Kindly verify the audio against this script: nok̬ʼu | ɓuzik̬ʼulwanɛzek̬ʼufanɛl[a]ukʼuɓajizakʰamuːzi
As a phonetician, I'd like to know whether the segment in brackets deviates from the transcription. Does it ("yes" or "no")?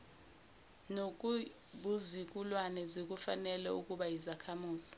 yes